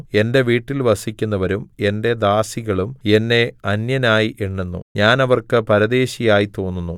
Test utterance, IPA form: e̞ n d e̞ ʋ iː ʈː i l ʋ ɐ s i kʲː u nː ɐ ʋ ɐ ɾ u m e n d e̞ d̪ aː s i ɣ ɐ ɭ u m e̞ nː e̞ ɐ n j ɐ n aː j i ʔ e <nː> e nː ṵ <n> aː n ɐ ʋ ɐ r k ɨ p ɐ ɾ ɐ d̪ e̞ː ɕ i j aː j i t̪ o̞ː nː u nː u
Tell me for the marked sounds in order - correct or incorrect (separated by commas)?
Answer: incorrect, incorrect